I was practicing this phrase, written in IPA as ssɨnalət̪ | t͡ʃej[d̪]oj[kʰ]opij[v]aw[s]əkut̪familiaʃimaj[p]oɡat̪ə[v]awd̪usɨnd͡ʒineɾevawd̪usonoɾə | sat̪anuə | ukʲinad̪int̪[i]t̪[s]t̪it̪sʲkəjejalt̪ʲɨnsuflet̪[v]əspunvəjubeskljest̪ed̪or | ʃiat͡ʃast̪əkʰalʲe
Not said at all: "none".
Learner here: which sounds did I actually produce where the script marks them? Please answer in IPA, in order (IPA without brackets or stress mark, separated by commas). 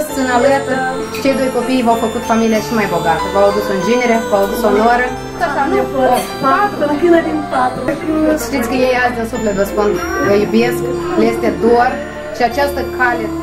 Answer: d̪, k, v, f, b, v, a, ʃ, v